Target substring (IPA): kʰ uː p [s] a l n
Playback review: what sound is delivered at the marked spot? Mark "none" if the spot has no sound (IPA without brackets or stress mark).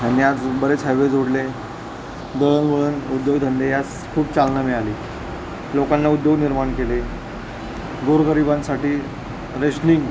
t͡s